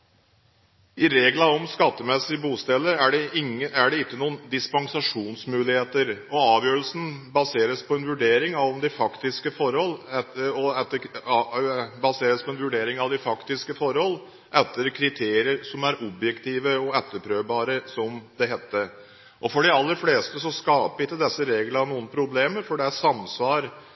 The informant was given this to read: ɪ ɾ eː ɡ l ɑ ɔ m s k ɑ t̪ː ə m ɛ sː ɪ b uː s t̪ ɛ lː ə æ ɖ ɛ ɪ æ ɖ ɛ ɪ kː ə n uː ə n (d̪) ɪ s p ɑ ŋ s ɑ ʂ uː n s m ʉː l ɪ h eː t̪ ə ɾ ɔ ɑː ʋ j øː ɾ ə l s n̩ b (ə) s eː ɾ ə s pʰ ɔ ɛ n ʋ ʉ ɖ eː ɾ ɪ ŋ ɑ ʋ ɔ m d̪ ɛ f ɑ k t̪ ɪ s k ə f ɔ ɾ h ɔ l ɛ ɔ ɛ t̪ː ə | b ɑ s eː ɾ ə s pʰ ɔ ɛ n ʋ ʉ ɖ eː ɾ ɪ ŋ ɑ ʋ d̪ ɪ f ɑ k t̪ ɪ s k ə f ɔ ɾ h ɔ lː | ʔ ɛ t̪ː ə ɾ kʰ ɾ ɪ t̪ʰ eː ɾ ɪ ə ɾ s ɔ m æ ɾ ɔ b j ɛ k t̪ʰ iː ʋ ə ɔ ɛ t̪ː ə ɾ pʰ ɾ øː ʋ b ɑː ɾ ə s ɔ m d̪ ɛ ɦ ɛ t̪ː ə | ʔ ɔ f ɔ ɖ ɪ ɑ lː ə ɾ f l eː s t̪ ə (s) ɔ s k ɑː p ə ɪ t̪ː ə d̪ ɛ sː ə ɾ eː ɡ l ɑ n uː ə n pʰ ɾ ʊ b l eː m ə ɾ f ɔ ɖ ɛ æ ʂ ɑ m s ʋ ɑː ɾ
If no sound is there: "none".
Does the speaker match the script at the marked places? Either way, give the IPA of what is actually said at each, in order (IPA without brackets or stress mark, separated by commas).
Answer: d̪, ɑ, s